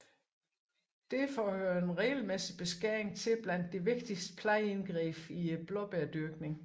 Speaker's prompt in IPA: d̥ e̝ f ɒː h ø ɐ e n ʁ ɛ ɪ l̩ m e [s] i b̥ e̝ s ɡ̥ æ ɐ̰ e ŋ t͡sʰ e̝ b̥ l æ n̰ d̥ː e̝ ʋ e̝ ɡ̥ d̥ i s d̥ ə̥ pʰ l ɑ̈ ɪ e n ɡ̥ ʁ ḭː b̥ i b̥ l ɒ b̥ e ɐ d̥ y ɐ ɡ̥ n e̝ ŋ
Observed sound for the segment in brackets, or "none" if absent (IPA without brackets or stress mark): s